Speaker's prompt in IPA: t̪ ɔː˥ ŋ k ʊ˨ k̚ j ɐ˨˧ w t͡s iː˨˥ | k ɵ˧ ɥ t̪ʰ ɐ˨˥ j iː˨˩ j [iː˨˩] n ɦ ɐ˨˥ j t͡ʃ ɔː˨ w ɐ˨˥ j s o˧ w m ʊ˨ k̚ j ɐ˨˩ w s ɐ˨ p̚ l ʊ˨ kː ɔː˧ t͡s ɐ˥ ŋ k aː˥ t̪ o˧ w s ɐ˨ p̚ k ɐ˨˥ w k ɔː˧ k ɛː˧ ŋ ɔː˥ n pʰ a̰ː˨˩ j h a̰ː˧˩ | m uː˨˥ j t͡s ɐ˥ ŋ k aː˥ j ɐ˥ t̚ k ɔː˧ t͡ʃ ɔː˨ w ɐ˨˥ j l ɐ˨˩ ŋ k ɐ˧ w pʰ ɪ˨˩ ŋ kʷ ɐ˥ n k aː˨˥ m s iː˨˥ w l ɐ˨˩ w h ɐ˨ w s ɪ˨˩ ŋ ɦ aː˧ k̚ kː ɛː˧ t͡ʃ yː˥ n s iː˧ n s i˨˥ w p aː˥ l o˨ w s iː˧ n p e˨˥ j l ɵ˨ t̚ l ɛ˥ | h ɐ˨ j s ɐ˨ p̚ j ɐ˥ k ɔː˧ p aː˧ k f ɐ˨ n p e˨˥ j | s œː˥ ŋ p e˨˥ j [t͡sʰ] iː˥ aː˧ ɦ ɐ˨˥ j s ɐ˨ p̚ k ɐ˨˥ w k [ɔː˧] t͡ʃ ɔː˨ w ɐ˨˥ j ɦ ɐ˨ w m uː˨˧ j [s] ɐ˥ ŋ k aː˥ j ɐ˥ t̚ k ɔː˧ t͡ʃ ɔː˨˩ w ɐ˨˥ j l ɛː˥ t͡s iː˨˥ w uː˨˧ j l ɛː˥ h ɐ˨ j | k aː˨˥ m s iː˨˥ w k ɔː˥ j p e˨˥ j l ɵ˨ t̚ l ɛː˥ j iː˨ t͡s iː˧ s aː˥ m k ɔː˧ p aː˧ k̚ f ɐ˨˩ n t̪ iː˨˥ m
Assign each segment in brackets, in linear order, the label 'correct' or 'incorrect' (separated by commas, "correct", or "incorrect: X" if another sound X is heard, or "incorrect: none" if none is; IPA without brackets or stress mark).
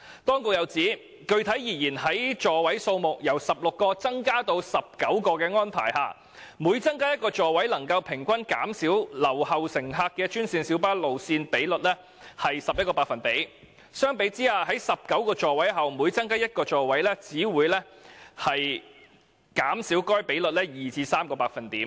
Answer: correct, incorrect: t͡s, correct, incorrect: t͡s